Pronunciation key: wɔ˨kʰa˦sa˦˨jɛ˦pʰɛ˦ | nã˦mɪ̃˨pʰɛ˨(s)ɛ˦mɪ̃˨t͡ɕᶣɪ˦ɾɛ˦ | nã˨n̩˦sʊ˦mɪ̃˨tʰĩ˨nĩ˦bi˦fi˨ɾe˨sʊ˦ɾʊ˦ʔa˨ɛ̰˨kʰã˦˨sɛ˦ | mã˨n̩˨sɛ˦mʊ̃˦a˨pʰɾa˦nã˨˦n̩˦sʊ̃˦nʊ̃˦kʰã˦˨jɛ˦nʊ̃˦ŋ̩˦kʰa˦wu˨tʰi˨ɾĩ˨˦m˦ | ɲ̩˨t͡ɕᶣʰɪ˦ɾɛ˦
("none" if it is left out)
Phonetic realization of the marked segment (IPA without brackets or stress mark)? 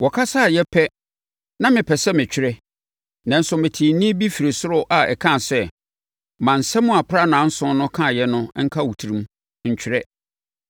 s